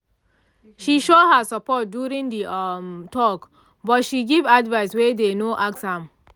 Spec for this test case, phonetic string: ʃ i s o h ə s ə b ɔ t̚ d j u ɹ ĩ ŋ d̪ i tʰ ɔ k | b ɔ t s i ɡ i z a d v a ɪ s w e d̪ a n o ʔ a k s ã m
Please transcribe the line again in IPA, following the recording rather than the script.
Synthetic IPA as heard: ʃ i ʃ o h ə s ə p ɔ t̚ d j u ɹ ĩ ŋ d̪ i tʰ ɔ k | b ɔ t ʃ i ɡ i v a d v a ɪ s w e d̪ e n o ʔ a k s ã m